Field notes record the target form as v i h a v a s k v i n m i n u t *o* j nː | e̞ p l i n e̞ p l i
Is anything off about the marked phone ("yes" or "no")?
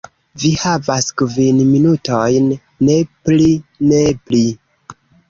no